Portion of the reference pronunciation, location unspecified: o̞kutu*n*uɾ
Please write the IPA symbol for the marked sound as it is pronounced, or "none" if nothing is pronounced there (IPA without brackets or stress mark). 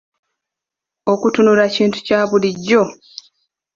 n